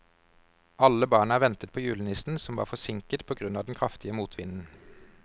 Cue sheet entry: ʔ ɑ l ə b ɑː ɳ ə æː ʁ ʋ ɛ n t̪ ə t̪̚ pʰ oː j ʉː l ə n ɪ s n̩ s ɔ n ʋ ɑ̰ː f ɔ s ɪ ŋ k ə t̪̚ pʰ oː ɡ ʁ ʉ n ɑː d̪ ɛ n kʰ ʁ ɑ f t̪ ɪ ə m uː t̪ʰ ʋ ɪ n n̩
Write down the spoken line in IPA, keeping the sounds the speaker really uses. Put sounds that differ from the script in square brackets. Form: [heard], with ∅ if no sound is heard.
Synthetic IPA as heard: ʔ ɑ l ə b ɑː ɳ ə æː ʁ ʋ ɛ n t̪ ə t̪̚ pʰ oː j ʉː l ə n ɪ s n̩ s ɔ [m] ʋ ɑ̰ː f ɔ s ɪ ŋ k ə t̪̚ pʰ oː ɡ ʁ ʉ n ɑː d̪ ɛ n kʰ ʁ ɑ f t̪ ɪ ə m uː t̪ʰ ʋ ɪ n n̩